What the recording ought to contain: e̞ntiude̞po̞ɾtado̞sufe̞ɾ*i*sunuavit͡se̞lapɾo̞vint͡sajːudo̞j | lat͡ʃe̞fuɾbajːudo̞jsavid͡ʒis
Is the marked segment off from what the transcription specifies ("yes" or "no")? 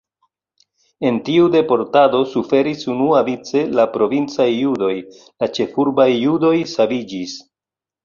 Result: no